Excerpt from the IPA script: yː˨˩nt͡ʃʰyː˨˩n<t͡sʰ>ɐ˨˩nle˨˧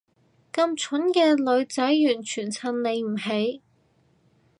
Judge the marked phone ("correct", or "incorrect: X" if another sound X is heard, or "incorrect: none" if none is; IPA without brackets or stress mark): correct